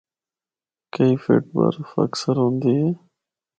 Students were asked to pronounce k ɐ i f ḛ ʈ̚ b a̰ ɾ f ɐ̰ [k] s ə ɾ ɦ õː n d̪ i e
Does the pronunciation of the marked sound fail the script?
no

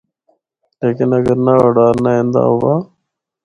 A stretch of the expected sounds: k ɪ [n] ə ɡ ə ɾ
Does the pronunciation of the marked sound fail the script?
no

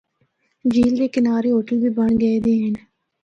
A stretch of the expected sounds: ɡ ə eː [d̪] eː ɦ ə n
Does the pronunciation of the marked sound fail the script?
no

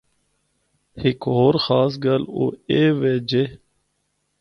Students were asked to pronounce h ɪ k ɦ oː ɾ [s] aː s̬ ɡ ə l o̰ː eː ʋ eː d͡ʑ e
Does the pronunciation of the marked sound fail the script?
yes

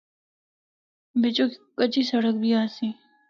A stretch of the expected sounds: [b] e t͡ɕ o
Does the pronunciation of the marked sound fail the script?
no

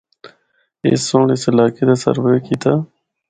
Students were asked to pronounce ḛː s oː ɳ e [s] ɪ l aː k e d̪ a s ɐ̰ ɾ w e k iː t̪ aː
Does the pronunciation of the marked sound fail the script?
no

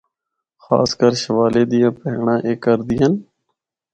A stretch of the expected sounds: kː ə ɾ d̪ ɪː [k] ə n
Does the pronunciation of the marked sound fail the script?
yes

